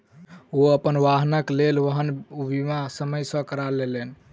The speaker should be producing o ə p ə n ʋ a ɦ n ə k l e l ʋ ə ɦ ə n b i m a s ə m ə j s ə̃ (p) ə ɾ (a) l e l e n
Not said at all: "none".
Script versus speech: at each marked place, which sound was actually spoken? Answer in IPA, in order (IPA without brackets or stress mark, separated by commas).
k, a